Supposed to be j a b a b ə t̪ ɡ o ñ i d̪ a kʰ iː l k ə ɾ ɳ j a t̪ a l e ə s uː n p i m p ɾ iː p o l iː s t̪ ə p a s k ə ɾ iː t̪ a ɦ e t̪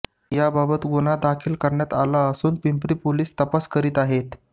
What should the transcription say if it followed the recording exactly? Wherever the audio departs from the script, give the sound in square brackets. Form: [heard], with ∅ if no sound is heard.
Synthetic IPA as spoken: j a b a b ə t̪ ɡ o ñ [a] d̪ a kʰ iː l k ə ɾ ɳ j a t̪ a l [a] ə s uː n p i m p ɾ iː p o l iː s t̪ ə p a s k ə ɾ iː t̪ a ɦ e t̪